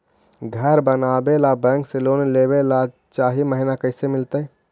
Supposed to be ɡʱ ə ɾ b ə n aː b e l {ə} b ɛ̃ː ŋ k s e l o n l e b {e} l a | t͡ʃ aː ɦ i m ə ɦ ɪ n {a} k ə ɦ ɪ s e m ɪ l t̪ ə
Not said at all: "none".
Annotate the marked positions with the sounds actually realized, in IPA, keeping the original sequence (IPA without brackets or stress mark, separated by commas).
a, e, a